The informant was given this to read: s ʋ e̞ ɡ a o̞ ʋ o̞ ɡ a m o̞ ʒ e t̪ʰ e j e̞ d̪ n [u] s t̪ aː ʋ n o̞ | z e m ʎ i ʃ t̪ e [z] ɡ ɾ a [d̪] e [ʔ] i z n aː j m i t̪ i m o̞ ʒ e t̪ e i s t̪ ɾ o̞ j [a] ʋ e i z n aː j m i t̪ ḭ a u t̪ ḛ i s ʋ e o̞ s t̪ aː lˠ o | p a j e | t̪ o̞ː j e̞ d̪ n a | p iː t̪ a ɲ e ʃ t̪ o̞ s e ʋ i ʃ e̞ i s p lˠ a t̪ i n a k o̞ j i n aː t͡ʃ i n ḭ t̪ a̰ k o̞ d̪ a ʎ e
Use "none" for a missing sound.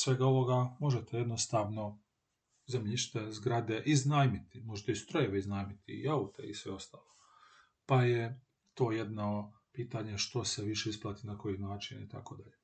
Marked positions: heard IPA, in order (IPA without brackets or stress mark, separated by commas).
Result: o, z, d̪, ʔ, e